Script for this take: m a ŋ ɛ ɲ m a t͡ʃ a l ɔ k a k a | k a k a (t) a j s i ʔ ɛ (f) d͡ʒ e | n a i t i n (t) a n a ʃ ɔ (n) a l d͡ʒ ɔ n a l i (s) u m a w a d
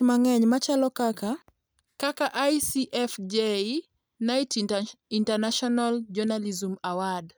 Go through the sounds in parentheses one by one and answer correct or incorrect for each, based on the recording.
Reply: incorrect: ʔ, correct, correct, correct, incorrect: z

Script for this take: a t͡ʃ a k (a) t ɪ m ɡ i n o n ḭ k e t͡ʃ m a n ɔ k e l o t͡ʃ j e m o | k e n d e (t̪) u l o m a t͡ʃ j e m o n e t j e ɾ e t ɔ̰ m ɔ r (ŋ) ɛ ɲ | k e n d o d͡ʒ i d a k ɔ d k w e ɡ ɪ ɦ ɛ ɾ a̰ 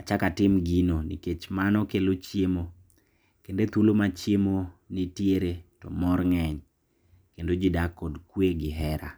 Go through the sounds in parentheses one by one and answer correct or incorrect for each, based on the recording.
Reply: correct, correct, correct

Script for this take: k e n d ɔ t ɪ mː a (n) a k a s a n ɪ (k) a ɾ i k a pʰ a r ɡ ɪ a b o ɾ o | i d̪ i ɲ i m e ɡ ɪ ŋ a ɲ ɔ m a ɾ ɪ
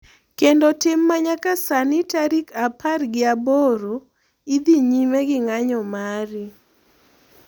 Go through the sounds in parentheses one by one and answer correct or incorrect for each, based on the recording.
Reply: incorrect: ɲ, incorrect: t

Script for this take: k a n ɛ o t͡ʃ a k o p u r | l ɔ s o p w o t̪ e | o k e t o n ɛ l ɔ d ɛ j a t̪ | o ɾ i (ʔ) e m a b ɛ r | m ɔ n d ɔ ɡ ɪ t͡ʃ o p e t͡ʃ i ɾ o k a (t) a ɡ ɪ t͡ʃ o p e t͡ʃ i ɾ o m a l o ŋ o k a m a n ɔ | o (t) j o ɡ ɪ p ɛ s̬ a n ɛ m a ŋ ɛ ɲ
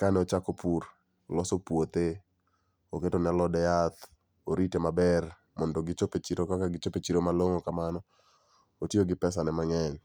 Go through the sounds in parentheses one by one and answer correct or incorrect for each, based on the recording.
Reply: incorrect: t, incorrect: k, correct

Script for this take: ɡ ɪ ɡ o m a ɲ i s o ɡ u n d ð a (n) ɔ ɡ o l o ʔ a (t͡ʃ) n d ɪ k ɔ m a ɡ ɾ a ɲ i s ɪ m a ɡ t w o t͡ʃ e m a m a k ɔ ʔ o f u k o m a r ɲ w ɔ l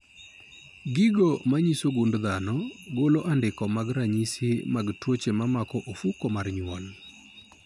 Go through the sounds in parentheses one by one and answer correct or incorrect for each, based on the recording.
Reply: correct, incorrect: none

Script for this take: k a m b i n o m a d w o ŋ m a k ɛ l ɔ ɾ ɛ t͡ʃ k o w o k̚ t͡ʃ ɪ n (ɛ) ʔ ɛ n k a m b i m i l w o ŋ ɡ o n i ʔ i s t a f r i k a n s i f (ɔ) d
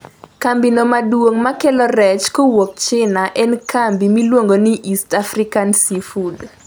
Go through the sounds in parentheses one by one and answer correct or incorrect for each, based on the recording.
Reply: incorrect: a, incorrect: u

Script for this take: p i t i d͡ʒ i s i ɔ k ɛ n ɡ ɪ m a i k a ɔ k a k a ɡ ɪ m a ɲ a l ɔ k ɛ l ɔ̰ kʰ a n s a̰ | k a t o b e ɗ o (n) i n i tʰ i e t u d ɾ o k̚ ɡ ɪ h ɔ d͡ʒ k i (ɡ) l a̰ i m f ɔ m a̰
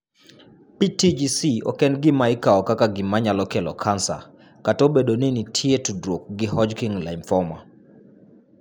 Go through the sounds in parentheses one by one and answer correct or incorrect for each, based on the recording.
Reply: correct, incorrect: ŋ

